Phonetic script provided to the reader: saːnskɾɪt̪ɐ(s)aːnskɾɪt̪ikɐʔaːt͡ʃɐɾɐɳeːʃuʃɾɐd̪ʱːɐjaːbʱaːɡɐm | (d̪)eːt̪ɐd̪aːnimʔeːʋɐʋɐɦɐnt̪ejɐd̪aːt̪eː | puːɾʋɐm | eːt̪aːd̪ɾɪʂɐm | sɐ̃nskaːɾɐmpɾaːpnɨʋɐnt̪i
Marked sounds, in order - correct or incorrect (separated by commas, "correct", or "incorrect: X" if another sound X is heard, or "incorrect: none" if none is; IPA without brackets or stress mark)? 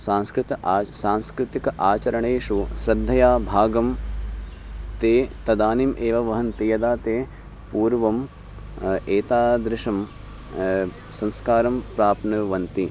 correct, incorrect: t̪